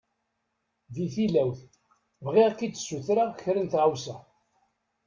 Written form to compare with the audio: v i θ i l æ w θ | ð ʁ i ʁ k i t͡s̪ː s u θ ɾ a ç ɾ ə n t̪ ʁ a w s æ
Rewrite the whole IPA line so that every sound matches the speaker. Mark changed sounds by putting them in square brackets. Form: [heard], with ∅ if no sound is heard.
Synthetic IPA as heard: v i θ i l æ w θ | [v] ʁ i ʁ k i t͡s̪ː s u θ ɾ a ç ɾ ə n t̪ ʁ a w s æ